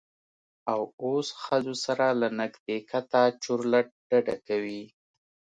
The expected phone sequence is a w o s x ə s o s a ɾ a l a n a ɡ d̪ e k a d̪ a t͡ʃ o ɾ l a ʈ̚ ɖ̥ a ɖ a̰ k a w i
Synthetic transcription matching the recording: a w o s x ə z o s a ɾ a l a n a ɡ d̪ e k a t̪ a t͡ʃ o ɾ l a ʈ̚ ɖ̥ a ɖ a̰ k a w i